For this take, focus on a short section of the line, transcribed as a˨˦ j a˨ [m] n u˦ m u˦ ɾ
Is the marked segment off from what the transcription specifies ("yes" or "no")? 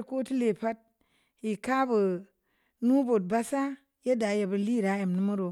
no